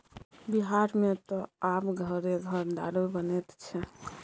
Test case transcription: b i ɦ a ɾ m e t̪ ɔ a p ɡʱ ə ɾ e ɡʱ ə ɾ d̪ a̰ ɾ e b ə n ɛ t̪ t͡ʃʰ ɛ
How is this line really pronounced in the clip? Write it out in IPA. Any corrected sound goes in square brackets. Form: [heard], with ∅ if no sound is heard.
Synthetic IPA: b i ɦ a ɾ m e t̪ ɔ a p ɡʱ ə ɾ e ɡʱ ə ɾ d̪ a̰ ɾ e b ə n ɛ t̪ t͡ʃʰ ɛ